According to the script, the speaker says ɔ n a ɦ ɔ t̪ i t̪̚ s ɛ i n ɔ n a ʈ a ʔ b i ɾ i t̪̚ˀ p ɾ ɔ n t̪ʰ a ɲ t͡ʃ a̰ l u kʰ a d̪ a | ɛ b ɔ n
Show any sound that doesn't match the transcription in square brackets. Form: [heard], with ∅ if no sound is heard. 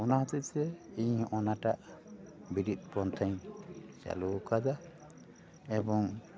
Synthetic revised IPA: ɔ n a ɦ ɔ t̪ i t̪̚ s ɛ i [ɲ] ɔ n a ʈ a ʔ b i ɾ i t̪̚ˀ p ɾ ɔ n t̪ʰ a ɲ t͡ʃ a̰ l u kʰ a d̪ a | ɛ b ɔ [ŋ]